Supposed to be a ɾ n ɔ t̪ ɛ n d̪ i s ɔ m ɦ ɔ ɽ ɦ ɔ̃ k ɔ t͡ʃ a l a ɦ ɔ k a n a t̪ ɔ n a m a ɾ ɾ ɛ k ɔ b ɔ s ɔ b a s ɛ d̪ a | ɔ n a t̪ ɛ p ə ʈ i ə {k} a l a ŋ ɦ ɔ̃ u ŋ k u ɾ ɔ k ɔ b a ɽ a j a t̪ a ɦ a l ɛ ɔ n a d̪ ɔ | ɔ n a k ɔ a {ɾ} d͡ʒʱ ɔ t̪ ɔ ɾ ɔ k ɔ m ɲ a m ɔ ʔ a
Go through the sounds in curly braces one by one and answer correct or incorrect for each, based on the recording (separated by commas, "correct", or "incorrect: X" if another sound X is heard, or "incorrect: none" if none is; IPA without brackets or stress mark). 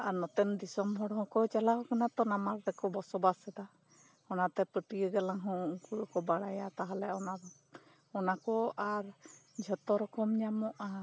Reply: incorrect: ɡ, correct